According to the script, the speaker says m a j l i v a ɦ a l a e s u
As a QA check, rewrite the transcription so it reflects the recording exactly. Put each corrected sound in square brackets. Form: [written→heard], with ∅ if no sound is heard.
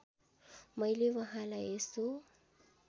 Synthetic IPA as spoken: m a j l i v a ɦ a l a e s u